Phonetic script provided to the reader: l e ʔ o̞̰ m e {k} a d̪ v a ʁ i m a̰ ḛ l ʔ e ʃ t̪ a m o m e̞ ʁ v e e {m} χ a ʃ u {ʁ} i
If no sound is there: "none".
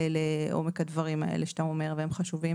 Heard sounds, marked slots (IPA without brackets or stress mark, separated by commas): k, m, v